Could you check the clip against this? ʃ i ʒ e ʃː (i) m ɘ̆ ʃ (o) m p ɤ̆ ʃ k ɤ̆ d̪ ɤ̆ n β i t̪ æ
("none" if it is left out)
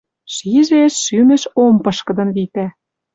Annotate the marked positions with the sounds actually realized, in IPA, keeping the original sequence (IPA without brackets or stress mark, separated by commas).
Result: y, o